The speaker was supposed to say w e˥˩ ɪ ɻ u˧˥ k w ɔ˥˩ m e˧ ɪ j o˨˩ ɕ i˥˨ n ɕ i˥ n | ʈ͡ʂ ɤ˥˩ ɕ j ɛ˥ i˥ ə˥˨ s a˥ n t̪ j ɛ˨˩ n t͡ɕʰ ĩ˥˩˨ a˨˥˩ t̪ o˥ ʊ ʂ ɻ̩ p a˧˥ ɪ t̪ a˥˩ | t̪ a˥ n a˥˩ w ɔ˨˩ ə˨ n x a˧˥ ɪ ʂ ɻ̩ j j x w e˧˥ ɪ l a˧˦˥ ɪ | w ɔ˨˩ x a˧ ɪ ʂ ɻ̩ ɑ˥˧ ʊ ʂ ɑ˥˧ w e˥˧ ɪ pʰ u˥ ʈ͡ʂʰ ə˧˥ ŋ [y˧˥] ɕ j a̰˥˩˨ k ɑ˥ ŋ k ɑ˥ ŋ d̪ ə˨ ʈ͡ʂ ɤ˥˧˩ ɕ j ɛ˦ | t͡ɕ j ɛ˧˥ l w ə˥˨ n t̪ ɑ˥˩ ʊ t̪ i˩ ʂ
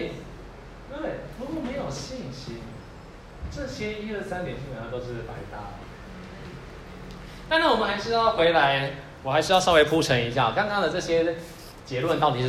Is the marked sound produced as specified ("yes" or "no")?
no